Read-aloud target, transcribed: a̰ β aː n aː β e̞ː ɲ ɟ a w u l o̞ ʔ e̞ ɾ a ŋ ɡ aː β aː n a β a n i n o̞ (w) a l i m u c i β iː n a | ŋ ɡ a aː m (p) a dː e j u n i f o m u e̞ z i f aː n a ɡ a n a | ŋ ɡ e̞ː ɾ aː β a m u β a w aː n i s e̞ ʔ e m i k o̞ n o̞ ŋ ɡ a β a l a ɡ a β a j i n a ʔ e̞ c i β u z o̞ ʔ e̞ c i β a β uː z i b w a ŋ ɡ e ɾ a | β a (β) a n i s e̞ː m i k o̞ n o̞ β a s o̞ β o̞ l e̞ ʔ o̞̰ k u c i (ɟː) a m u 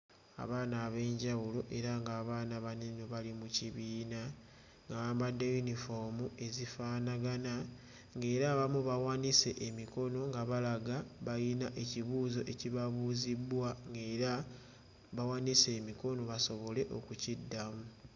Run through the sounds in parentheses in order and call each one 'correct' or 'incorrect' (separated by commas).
incorrect, incorrect, incorrect, incorrect